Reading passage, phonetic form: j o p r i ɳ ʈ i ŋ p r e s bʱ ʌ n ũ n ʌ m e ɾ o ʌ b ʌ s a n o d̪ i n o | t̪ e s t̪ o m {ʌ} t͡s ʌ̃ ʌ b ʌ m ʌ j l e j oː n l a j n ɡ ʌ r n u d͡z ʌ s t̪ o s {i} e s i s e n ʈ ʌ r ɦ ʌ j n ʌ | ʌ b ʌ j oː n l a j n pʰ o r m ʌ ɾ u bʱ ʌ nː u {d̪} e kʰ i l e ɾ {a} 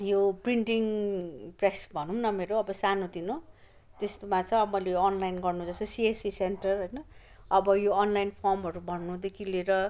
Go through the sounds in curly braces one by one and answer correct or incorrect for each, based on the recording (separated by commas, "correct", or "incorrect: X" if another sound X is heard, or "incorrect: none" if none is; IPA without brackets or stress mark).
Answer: incorrect: a, correct, correct, incorrect: ʌ